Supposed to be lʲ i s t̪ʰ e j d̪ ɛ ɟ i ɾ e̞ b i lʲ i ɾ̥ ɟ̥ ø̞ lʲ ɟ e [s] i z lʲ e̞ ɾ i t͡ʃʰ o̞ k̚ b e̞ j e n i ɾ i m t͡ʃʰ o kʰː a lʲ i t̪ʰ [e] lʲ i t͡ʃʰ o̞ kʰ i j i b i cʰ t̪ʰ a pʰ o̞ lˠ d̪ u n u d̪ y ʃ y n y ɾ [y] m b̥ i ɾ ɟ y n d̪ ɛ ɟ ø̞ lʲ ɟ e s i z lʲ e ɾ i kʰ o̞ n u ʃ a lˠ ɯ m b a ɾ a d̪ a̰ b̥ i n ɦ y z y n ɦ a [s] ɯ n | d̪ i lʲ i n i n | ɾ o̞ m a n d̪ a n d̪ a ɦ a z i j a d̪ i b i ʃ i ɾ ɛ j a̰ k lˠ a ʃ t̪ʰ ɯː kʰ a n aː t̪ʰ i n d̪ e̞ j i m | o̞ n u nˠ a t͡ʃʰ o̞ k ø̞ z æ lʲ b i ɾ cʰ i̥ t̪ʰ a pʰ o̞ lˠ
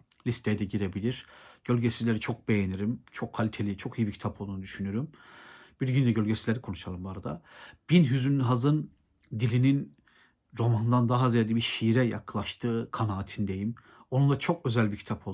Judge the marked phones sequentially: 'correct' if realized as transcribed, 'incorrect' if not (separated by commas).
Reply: correct, correct, correct, incorrect